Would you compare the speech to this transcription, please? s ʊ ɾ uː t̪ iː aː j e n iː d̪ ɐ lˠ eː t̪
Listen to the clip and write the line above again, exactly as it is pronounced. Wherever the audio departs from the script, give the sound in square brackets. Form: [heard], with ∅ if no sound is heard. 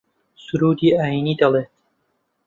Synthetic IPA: s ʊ ɾ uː [d̪] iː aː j [i] n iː d̪ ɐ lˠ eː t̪